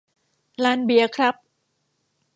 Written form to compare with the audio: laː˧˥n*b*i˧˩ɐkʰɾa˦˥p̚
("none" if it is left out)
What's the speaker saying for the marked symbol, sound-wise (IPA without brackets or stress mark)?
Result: b